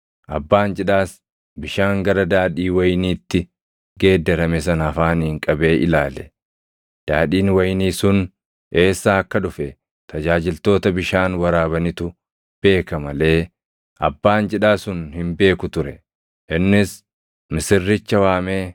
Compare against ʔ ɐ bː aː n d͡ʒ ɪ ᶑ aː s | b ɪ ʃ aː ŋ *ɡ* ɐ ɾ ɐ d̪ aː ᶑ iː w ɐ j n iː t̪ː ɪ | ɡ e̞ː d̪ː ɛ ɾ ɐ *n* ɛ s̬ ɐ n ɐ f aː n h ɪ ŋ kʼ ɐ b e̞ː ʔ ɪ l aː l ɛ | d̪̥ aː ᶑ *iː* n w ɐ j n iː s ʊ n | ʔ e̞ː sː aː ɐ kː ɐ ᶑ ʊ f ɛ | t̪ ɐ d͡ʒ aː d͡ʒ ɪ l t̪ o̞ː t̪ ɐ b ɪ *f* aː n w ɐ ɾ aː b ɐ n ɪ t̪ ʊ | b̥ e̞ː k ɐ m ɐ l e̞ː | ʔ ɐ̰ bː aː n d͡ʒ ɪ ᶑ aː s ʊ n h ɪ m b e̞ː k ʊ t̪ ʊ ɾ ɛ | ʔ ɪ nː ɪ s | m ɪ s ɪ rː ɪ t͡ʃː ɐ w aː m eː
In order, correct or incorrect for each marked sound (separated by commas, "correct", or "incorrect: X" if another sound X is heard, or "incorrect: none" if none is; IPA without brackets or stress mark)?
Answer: correct, incorrect: m, correct, incorrect: ʃ